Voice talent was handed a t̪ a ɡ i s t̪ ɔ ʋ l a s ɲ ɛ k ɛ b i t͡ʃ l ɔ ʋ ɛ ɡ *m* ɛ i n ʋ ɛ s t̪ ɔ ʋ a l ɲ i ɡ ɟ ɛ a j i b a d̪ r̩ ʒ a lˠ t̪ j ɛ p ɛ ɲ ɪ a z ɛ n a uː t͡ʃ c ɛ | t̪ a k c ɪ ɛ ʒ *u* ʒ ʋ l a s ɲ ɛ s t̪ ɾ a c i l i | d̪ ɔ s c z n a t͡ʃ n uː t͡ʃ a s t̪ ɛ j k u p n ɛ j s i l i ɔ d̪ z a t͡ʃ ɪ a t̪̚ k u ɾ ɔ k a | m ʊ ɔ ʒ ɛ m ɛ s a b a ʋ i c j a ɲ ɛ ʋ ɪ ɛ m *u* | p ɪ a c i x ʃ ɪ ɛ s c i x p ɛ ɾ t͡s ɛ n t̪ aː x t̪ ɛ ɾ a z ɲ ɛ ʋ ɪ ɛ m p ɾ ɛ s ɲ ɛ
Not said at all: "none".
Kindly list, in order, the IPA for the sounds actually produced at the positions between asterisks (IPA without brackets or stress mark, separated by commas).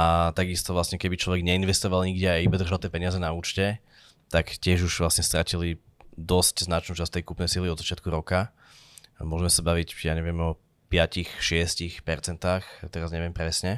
ɲ, u, ɔ